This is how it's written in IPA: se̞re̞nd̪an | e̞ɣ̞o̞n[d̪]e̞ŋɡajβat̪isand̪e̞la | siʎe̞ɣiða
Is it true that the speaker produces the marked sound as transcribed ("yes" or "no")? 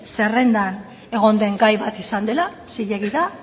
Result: yes